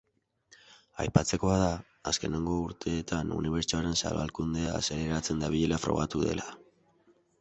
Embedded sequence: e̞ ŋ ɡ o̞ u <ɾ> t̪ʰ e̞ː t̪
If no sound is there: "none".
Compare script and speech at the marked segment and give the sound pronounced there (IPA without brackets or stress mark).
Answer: ɾ